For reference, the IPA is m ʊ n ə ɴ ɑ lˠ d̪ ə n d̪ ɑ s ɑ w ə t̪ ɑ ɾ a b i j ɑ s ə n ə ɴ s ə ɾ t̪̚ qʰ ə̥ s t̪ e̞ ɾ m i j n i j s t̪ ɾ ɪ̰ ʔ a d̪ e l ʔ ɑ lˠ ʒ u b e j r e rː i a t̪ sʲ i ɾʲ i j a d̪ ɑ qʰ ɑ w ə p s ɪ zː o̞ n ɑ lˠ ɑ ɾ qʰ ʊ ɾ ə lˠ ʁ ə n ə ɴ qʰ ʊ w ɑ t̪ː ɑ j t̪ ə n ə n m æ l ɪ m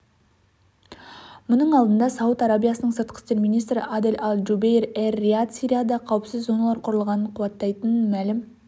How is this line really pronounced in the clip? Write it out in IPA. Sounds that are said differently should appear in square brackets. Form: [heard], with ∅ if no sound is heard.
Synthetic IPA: m ʊ n ə ɴ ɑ lˠ d̪ ə n d̪ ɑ s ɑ w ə t̪ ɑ ɾ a b i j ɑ s ə n ə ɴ s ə ɾ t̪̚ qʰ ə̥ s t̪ e̞ ɾ m i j n i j s t̪ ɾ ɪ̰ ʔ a d̪ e l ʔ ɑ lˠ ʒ u b e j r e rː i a t̪ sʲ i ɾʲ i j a d̪ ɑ qʰ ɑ w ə p s ɪ zː o̞ n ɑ lˠ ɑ ɾ qʰ ʊ ɾ ə lˠ ʁ [ɑ] n ə ɴ qʰ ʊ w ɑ t̪ː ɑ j t̪ ə n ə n m æ l ɪ m